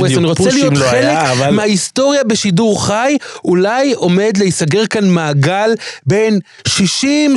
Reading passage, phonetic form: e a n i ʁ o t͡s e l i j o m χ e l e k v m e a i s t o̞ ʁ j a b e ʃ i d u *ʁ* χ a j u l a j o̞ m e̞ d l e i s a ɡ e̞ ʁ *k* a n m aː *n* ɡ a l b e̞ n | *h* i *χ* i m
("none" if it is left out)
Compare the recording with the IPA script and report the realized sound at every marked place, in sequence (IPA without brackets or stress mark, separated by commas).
ʁ, k, none, ʃ, ʃ